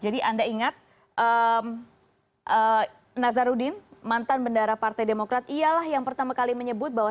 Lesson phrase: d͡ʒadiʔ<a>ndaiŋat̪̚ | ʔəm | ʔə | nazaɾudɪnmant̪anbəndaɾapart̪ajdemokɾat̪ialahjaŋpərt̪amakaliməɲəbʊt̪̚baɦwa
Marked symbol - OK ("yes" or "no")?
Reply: yes